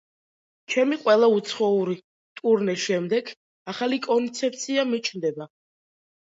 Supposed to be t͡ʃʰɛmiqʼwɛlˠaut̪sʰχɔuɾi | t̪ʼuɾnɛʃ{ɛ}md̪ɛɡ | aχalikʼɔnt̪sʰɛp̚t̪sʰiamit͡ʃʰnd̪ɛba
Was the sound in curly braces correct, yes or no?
yes